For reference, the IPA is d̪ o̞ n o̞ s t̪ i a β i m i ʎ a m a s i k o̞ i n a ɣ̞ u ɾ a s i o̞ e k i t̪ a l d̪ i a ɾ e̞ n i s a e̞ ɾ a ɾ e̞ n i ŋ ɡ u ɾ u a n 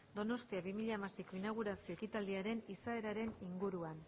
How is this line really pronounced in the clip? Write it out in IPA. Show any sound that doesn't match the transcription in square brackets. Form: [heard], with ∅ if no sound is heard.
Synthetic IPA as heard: d̪ o̞ n o̞ s t̪ i a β i m i ʎ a m a s i k o̞ i n a ɣ̞ u ɾ a s i o̞ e k i t̪ a l d̪ i a ɾ e̞ n i s a e̞ ɾ a ɾ e̞ n i ŋ ɡ u ɾ u a n